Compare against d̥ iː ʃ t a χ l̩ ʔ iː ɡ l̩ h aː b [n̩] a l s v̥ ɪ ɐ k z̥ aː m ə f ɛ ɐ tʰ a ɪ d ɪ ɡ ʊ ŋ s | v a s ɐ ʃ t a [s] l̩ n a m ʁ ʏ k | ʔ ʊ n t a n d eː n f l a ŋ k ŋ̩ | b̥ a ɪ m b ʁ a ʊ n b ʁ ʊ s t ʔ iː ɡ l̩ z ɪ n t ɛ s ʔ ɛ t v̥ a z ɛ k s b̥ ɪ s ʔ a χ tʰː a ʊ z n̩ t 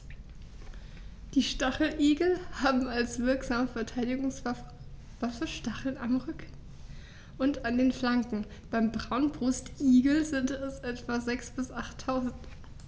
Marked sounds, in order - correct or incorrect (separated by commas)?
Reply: incorrect, incorrect